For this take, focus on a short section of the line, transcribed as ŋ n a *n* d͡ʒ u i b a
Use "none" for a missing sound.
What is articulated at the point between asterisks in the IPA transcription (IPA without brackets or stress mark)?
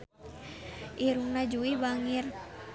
none